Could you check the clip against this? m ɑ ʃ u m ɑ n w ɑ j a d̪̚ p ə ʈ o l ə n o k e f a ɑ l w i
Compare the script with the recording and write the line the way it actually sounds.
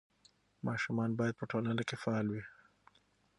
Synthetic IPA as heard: m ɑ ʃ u m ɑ n b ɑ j a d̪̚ p ə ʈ o l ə n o k e f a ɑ l w i